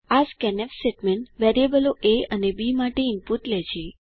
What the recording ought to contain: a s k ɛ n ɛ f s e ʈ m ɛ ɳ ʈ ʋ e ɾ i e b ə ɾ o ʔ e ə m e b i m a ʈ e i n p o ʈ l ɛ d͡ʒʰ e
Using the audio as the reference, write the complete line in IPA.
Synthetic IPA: a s k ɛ n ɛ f s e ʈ m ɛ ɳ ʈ ʋ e ɾ i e b ə l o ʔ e ə n e b i m a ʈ e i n p u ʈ l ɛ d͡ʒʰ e